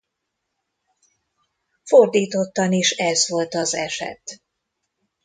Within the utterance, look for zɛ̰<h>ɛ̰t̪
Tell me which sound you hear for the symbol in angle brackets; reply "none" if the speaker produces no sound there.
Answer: ʃ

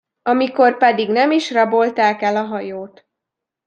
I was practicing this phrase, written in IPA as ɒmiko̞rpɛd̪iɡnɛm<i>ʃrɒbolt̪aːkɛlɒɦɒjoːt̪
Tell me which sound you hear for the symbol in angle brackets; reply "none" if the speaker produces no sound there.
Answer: i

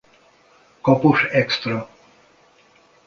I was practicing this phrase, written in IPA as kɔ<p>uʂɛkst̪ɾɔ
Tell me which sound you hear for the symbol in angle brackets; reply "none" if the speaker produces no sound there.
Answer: p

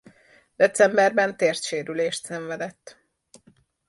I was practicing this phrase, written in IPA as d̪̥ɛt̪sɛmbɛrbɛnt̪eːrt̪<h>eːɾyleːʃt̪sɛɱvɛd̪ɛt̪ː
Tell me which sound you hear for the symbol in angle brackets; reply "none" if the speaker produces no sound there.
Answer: ʃ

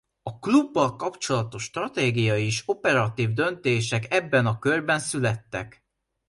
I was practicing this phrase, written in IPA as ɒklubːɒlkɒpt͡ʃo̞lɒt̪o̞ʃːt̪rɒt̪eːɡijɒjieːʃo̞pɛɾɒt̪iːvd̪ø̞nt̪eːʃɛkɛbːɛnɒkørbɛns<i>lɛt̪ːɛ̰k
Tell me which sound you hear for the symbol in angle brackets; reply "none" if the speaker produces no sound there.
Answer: y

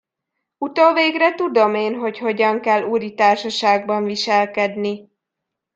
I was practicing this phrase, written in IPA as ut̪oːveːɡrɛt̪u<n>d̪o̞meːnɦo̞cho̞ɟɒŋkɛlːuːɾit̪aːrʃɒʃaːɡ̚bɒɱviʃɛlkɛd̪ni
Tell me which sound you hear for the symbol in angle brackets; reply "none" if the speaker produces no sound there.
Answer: none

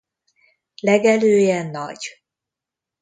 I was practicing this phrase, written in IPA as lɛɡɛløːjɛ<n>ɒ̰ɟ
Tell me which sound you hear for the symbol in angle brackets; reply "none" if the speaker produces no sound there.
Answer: nː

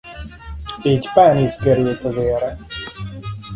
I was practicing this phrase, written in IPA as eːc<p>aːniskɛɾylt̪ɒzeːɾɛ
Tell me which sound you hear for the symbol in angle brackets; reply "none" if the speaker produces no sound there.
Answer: p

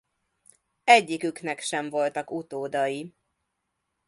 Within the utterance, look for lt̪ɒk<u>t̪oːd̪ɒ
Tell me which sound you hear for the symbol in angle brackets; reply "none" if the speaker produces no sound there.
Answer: u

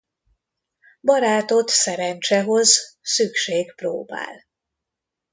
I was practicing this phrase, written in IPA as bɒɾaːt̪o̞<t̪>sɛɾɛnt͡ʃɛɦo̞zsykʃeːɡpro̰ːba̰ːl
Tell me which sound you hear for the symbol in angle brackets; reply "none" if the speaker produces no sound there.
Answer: t̪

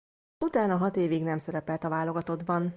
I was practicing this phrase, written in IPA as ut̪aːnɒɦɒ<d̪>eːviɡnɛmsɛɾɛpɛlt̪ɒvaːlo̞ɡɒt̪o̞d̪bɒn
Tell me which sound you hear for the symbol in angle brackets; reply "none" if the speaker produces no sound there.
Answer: t̪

